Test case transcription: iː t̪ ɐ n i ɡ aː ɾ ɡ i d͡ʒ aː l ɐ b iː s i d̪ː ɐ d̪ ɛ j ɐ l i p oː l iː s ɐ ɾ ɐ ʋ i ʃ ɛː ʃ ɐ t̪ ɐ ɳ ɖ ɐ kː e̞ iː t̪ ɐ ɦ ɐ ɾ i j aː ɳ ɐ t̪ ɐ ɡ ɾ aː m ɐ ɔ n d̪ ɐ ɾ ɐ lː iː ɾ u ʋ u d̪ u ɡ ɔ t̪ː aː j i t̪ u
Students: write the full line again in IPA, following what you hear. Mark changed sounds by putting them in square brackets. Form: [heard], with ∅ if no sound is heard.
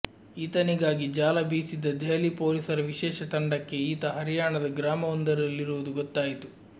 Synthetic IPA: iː t̪ ɐ n i ɡ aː [∅] ɡ i d͡ʒ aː l ɐ b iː s i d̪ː ɐ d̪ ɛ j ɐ l i p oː l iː s ɐ ɾ ɐ ʋ i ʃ ɛː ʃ ɐ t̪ ɐ ɳ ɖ ɐ kː e̞ iː t̪ ɐ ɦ ɐ ɾ i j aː ɳ ɐ [d̪] ɐ ɡ ɾ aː m ɐ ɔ n d̪ ɐ ɾ ɐ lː [i] ɾ u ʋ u d̪ u ɡ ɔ t̪ː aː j i t̪ u